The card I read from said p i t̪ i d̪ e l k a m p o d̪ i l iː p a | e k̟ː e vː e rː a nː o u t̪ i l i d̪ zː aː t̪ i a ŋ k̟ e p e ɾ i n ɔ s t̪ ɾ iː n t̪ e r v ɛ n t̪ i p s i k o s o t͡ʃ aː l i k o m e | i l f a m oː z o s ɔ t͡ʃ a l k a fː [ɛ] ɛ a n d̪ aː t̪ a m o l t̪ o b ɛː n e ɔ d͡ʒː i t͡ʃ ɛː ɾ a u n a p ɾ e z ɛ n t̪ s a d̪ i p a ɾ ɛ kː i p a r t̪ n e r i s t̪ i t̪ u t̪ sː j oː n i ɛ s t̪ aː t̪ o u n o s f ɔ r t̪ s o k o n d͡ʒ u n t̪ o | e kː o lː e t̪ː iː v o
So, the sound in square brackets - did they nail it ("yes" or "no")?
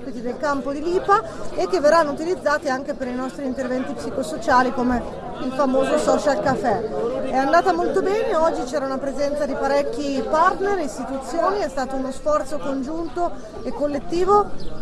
yes